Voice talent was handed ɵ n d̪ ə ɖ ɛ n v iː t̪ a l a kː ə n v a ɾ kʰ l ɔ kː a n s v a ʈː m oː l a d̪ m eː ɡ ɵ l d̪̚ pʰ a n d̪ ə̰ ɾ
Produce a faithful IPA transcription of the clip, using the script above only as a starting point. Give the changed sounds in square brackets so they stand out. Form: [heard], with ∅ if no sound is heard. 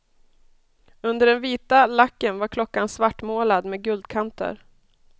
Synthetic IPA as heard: ɵ n d̪ ə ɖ ɛ n v iː t̪ a l a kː ə n v a ɾ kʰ l ɔ kː a n s v a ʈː m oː l a d̪ m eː ɡ ɵ l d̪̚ [kʰ] a n [t̪] ə̰ ɾ

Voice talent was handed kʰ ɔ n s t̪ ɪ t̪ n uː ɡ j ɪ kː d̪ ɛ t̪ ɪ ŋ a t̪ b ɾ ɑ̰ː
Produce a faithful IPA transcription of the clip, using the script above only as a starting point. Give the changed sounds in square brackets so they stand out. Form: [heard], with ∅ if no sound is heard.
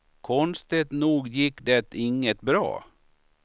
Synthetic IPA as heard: kʰ ɔ n s t̪ ɪ t̪ n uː ɡ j ɪ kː d̪ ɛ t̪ ɪ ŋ [ə] t̪ b ɾ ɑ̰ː

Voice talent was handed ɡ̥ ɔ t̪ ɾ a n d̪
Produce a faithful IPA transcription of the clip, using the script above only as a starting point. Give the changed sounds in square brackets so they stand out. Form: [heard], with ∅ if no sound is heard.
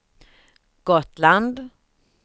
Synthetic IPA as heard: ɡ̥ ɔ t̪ [l] a n d̪

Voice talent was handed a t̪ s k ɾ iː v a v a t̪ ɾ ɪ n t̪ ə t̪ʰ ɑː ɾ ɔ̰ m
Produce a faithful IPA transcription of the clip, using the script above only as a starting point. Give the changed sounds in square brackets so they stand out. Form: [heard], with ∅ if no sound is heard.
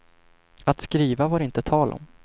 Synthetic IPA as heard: a t̪ s k ɾ iː v a v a [∅] ɾ ɪ n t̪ ə t̪ʰ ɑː [l] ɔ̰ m

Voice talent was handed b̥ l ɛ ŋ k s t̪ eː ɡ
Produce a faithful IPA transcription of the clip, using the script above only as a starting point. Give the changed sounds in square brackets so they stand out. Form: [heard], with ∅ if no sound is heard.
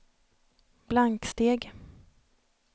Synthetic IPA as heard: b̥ l [a] ŋ k s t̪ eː ɡ

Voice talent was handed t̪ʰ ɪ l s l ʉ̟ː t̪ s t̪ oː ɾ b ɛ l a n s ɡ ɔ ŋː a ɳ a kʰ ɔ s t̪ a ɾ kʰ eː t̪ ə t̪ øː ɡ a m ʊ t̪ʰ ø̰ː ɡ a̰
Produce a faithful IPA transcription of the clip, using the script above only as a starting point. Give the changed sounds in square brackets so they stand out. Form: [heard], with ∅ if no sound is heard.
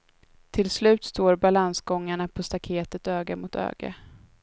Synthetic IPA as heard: t̪ʰ ɪ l s l ʉ̟ː t̪ s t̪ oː ɾ b [a] l a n s ɡ ɔ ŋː a ɳ a [pʰ] ɔ s t̪ a [∅] kʰ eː t̪ ə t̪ øː ɡ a m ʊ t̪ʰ ø̰ː ɡ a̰

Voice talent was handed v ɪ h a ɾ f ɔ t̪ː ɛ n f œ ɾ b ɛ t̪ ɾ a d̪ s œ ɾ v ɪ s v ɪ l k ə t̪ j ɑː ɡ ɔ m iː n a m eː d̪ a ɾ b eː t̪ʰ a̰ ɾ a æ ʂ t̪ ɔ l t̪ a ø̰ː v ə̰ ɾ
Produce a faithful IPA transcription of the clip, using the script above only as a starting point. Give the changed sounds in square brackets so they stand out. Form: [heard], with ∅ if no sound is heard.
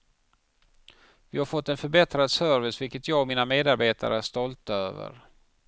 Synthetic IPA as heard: v ɪ h a ɾ f ɔ t̪ː ɛ n f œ ɾ b ɛ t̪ ɾ a d̪ s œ ɾ v ɪ s v ɪ l k ə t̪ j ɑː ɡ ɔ m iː n a m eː d̪ a ɾ b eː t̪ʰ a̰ ɾ [ə] æ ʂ t̪ ɔ l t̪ a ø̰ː v ə̰ ɾ

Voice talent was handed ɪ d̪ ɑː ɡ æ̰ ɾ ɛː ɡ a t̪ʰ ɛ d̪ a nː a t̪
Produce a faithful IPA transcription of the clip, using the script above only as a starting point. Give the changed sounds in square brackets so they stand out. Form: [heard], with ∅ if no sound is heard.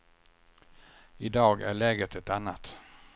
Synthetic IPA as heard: ɪ d̪ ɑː ɡ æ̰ [ɭ] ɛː ɡ [ə] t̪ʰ ɛ [t̪] a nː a t̪

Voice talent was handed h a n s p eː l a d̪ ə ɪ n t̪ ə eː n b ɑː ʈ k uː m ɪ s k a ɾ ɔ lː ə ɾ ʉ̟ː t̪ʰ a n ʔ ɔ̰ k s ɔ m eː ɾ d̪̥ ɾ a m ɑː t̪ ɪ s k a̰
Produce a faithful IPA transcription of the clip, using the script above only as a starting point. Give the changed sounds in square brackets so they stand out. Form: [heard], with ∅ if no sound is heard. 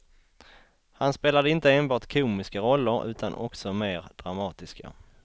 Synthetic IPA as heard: h a n s p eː l a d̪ ə ɪ n t̪ ə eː n b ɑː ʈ [kʰ] uː m ɪ s k a ɾ ɔ lː ə ɾ ʉ̟ː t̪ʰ a n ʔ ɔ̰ k s ɔ m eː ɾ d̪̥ ɾ a m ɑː t̪ ɪ s k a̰

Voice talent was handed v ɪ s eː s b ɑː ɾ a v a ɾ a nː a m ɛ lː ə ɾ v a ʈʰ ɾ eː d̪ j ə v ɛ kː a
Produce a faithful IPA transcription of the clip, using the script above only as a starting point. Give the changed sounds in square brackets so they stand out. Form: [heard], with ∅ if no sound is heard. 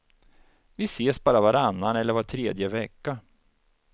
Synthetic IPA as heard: v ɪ s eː s b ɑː ɾ a v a ɾ a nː a [n] ɛ lː ə ɾ v a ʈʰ ɾ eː d̪ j ə v ɛ kː a

